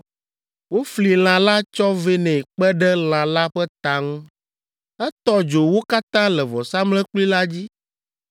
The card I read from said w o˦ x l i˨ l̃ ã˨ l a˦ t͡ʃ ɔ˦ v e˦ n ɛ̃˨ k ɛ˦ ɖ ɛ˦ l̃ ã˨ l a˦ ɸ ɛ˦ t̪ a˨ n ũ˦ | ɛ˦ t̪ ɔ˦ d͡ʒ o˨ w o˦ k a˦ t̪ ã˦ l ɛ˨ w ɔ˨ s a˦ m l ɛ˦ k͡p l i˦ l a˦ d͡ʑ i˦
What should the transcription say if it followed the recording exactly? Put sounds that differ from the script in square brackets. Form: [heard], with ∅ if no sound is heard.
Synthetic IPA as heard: w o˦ [f] l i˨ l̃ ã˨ l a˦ t͡ʃ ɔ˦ v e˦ n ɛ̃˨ [k͡p] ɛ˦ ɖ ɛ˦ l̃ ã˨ l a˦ ɸ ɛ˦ t̪ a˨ [ŋ] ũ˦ | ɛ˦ t̪ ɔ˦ d͡ʒ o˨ w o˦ k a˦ t̪ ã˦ l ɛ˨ [v] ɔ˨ s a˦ m l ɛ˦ k͡p l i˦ l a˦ d͡ʑ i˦